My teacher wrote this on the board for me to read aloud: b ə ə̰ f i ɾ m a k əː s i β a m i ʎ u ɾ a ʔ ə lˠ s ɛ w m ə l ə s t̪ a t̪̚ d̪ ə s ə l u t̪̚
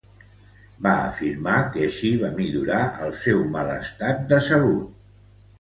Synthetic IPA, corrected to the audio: b a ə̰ f i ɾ m a k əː ʃ i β a m i ʎ u ɾ a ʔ ə lˠ s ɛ w m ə l ə s t̪ a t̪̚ d̪ ə s ə l u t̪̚